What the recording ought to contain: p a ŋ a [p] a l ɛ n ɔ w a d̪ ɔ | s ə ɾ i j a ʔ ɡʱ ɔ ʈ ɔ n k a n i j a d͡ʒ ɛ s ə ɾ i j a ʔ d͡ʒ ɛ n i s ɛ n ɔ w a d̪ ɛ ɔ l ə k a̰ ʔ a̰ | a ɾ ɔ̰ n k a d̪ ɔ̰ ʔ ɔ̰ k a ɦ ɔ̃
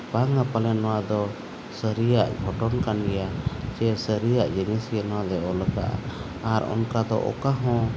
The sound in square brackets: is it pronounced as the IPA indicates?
yes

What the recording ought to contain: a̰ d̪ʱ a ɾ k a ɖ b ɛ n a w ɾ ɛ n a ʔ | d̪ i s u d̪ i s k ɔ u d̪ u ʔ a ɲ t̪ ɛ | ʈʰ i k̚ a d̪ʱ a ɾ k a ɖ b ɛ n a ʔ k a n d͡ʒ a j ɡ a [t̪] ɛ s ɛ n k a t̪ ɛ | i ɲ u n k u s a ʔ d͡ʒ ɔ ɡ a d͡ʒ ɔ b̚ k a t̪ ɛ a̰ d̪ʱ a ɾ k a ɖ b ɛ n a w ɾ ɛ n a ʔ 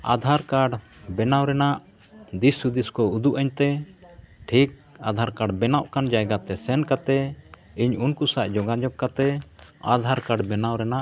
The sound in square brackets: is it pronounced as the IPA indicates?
yes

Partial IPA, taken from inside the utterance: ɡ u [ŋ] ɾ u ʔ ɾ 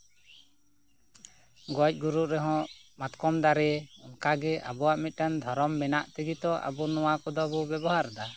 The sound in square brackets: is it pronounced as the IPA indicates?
no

